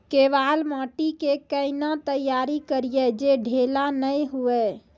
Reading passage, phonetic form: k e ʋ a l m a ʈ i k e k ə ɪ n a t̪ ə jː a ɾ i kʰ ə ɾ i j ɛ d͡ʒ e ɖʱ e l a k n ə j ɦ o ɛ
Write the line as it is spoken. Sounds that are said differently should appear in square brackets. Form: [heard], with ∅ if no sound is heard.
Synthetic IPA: k e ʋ a l m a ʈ i k e k ə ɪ n a t̪ ə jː a ɾ i [k] ə ɾ i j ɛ d͡ʒ e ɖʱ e l a [∅] n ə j ɦ [u] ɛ